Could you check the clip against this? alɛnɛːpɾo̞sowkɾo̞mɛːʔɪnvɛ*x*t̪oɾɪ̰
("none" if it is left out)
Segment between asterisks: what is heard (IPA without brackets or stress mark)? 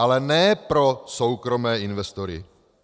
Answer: s